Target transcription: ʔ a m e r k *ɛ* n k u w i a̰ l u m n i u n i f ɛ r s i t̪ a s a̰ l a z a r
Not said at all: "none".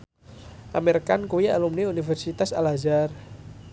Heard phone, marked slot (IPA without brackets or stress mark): a